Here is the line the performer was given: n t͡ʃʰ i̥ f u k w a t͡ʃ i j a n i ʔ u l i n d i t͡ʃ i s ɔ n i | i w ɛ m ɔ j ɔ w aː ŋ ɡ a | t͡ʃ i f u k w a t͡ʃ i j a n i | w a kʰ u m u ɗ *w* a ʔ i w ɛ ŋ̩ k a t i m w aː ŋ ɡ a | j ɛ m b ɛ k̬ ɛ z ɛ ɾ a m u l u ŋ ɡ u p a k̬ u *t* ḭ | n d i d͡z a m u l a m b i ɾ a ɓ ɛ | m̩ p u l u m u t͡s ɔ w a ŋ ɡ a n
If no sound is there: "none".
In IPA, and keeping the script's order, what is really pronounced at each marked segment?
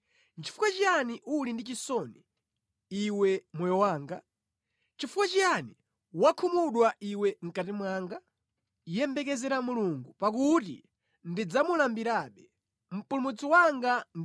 w, t

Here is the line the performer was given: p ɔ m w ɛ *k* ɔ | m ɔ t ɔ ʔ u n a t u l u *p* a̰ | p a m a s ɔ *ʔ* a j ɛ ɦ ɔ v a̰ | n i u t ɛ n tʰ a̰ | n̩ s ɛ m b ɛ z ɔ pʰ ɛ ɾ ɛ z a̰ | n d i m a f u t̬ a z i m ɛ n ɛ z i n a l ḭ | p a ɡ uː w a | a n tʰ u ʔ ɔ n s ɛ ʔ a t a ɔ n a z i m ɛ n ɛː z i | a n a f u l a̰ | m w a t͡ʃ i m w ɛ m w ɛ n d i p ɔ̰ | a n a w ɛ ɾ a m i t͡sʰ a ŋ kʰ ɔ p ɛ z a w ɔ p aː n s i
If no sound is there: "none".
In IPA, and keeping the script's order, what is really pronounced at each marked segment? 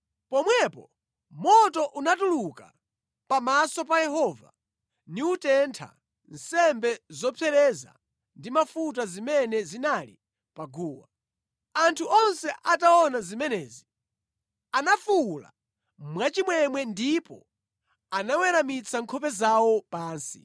p, k, p

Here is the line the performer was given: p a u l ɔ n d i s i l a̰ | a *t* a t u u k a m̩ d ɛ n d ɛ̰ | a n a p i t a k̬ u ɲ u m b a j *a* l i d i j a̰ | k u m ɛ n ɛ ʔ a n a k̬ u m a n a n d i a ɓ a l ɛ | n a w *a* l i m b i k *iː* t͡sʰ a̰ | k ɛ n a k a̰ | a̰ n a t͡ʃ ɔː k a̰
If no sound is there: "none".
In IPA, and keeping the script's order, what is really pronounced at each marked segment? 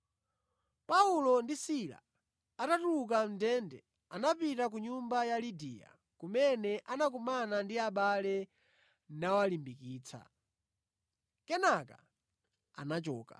t, a, a, iː

